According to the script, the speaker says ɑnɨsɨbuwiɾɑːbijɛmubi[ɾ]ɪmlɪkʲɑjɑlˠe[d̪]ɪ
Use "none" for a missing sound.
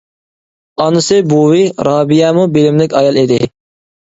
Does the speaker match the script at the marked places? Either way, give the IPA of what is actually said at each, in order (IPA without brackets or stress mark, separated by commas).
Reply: l, d̪